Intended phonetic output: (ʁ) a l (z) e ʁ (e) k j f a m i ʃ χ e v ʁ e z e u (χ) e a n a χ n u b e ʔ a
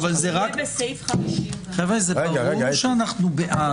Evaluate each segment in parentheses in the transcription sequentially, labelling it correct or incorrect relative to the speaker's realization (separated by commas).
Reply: incorrect, correct, incorrect, incorrect